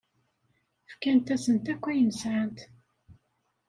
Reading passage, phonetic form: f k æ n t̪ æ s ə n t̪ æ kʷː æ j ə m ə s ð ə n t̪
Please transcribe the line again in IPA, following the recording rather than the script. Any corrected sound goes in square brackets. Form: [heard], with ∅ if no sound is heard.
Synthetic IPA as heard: f k æ n t̪ æ s ə n t̪ æ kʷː æ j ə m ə s [ʕ] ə n t̪